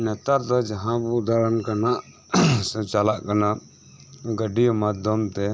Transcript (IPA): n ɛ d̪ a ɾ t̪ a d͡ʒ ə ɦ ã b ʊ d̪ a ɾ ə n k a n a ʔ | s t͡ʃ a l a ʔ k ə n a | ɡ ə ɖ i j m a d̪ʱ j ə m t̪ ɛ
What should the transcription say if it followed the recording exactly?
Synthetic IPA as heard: n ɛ t̪ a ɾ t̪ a d͡ʒ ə ɦ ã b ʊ d̪ a ɾ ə n k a n a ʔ | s t͡ʃ a l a ʔ k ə n a | ɡ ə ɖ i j m a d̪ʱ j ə m t̪ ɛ